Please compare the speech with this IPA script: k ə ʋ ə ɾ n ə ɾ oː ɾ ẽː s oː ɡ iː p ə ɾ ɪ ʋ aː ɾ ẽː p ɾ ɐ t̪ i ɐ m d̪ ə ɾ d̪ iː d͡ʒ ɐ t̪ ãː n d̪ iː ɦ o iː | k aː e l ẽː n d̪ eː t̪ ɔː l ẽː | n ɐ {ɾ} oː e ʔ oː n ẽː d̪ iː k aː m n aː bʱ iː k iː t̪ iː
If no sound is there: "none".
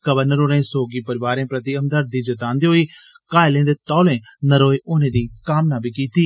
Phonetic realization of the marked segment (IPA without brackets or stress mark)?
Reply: ɾ